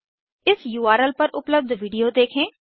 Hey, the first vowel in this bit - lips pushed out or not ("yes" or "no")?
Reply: no